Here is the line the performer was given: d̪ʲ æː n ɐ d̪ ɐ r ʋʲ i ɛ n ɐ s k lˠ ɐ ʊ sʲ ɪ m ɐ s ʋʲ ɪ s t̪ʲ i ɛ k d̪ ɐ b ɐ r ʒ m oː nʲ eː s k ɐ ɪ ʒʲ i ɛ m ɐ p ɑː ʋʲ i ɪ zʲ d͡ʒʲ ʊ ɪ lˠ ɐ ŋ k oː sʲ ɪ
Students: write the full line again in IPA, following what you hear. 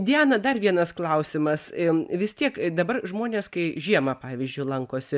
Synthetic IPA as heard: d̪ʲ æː n ɐ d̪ ɐ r ʋʲ i ɛ n ɐ s k lˠ ɐ ʊ sʲ ɪ m ɐ s ʋʲ ɪ s t̪ʲ i ɛ k d̪ ɐ b ɐ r ʒ m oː nʲ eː s k ɐ ɪ ʒʲ i ɛ m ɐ p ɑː ʋʲ i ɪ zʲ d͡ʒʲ ʊ ɪ lˠ ɐ ŋ k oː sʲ ɪ

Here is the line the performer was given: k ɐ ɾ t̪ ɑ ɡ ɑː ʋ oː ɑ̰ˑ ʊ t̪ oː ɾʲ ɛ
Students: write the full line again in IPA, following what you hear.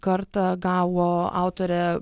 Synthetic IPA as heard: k ɐ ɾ t̪ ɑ ɡ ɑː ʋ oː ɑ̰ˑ ʊ t̪ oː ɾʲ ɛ

